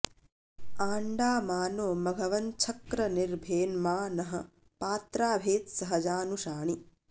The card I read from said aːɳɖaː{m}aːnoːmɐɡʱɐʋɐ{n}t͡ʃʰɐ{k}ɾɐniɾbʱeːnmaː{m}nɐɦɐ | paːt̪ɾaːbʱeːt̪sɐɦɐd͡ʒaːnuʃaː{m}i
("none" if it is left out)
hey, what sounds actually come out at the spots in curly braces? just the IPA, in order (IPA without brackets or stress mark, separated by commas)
m, n, k, none, ɳ